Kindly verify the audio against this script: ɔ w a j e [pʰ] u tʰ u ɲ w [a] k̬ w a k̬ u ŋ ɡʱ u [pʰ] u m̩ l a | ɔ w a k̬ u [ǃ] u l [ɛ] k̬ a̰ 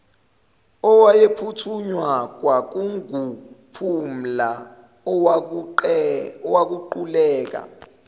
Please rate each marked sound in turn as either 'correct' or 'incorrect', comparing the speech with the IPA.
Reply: correct, correct, correct, correct, incorrect: ɛː

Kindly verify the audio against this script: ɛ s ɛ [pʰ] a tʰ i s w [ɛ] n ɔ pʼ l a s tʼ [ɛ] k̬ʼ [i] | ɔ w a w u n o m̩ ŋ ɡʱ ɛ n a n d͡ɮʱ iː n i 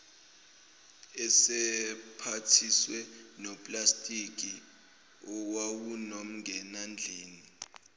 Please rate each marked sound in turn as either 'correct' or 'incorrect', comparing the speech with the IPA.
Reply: correct, correct, incorrect: i, correct

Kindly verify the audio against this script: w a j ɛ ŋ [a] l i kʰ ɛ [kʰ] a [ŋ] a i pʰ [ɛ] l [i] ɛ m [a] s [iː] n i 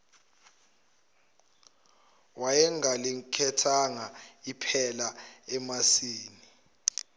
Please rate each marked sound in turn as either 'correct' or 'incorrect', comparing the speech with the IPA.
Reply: correct, incorrect: tʰ, correct, correct, incorrect: a, correct, correct

